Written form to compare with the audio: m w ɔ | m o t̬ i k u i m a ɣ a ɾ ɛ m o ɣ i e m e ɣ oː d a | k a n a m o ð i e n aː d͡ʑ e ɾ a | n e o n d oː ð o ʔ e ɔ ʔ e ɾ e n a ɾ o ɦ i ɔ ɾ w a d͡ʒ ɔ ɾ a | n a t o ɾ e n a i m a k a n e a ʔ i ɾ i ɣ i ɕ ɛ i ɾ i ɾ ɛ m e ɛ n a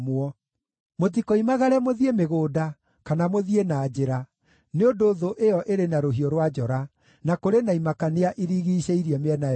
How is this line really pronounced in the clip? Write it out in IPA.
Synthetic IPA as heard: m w ɔ | m o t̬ i k o i m a ɣ a ɾ ɛ m o ð i e m e ɣ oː d a | k a n a m o ð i e n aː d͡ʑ e ɾ a | n e o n d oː ð o ʔ e ɔ ʔ e ɾ e n a ɾ o ɦ i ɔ ɾ w a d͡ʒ ɔ ɾ a | n a k o ɾ e n a i m a k a n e a ʔ i ɾ i ɣ i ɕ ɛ i ɾ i ɛ m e ɛ n a